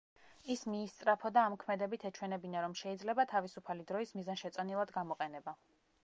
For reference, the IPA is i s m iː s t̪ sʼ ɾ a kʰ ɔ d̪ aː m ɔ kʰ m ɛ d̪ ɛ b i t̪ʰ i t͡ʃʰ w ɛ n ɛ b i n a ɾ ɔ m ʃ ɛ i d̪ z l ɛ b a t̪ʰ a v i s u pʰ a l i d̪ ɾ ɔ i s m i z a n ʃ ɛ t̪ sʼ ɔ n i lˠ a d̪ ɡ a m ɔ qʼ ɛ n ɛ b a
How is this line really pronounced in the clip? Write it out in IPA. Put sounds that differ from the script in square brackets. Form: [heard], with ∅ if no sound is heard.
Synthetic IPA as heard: i s m iː s t̪ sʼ ɾ a [pʰ] ɔ d̪ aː m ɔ kʰ m ɛ d̪ ɛ b i t̪ʰ [ɛ] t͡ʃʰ w ɛ n ɛ b i n a ɾ ɔ m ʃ ɛ i d̪ z l ɛ b a t̪ʰ a v i s u pʰ a l i d̪ ɾ ɔ i s m i z a n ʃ ɛ t̪ sʼ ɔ n i lˠ a d̪ ɡ a m ɔ qʼ ɛ n ɛ b a